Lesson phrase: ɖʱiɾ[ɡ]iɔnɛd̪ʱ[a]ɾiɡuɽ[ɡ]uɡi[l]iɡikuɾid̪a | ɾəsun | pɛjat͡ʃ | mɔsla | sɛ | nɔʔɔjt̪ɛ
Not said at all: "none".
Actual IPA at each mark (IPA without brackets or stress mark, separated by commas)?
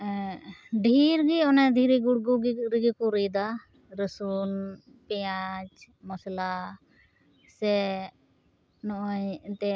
ɡ, i, ɡ, ɾ